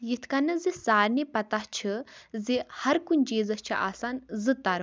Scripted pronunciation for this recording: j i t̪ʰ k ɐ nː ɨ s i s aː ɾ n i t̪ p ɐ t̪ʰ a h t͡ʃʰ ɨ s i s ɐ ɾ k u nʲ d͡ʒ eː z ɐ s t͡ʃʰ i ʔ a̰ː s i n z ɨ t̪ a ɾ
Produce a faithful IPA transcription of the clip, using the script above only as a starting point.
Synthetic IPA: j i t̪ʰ k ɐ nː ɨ z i s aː ɾ n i p ɐ t̪ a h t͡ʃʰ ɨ z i h ɐ ɾ k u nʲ d͡ʒ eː z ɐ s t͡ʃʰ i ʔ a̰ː s a n z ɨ t̪ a ɾ